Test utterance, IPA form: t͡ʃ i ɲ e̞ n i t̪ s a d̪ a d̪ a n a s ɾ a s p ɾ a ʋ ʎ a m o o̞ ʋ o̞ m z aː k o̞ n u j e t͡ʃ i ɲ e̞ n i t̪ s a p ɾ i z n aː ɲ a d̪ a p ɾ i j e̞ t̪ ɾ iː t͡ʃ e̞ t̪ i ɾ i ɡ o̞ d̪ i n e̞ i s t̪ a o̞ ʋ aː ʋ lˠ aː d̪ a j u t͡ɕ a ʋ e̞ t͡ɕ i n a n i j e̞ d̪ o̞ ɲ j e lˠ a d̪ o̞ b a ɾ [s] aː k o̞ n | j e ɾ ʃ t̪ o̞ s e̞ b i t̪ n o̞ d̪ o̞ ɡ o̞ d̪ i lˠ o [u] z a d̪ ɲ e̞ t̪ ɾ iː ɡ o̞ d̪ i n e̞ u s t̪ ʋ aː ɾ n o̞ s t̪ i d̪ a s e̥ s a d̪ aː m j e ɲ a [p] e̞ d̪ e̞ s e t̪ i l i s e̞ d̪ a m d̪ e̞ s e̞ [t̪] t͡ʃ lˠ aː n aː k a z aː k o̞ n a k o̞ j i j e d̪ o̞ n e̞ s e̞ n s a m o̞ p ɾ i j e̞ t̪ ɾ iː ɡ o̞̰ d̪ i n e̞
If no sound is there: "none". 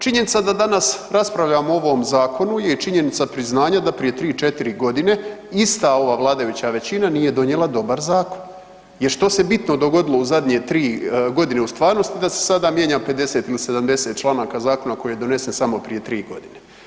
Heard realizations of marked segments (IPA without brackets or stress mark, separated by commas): z, u, p, t̪